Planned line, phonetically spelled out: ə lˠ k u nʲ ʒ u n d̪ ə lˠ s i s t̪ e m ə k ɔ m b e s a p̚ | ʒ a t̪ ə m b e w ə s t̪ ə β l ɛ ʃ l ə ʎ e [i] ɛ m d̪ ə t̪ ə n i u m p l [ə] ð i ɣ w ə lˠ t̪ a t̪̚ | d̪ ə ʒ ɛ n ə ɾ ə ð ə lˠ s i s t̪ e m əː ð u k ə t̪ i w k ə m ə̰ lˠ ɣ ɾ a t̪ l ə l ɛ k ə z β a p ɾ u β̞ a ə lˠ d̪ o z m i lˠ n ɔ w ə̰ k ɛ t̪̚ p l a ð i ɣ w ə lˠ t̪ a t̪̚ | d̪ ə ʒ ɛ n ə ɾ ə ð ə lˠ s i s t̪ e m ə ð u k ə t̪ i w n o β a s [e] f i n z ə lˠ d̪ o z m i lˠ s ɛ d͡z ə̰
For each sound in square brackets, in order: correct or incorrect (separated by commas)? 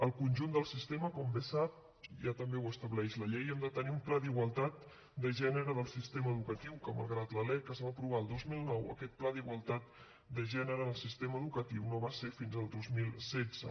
incorrect, incorrect, correct